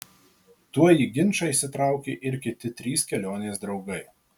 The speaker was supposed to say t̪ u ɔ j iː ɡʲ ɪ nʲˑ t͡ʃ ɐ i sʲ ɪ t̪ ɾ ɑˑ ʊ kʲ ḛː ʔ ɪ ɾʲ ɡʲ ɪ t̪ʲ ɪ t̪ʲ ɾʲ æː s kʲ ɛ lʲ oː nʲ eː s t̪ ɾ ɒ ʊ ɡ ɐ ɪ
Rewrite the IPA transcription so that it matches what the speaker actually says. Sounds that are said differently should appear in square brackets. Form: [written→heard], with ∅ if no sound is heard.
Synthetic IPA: t̪ u ɔ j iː ɡʲ ɪ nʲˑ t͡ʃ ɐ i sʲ ɪ t̪ ɾ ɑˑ ʊ kʲ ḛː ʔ ɪ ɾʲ [ɡʲ→kʲ] ɪ t̪ʲ ɪ t̪ʲ ɾʲ [æː→iː] s kʲ ɛ lʲ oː nʲ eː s [t̪→d̪] ɾ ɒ ʊ ɡ ɐ ɪ

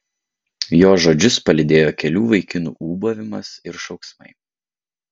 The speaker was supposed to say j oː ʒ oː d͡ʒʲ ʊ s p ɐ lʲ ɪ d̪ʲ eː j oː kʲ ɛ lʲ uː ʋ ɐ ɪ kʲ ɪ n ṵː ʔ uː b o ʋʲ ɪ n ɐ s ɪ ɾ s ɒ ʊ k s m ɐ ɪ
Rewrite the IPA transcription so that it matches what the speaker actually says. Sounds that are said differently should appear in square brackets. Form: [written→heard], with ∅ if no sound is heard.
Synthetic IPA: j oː ʒ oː d͡ʒʲ ʊ s p ɐ lʲ ɪ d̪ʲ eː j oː kʲ ɛ lʲ uː ʋ ɐ ɪ kʲ ɪ n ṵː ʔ uː b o ʋʲ ɪ [n→m] ɐ s ɪ ɾ [s→ʃ] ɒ ʊ k s m ɐ ɪ

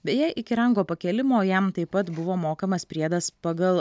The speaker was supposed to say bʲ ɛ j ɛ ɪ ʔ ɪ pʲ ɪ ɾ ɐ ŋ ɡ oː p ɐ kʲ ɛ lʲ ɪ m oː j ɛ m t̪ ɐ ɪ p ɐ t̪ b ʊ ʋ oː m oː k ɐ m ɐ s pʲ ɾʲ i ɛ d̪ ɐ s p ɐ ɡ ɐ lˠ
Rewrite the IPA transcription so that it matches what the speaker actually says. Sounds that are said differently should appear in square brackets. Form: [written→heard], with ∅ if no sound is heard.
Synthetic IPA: bʲ ɛ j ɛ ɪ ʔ ɪ [pʲ→kʲ] ɪ ɾ ɐ ŋ ɡ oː p ɐ kʲ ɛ lʲ ɪ m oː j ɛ m t̪ ɐ ɪ p ɐ t̪ b ʊ ʋ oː m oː k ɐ m ɐ s pʲ ɾʲ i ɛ d̪ ɐ s p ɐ ɡ ɐ lˠ

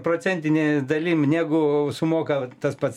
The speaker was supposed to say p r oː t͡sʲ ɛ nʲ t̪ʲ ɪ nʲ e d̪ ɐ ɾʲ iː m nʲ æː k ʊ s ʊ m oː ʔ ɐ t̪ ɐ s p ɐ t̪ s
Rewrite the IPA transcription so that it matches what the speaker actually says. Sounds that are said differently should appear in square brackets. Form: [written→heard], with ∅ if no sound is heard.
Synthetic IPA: p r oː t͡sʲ ɛ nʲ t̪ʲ ɪ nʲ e d̪ ɐ [ɾʲ→lʲ] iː m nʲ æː [k→ɡ] ʊ s ʊ m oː [ʔ→k] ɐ t̪ ɐ s p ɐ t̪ s

